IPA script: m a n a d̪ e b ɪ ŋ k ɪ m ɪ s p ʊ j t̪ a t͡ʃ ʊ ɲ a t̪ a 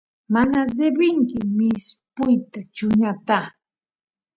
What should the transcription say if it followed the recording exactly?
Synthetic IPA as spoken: m a n a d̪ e b ɪ ŋ k ɪ m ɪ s p ʊ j t̪ a t͡ʃ ʊ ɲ a t̪ a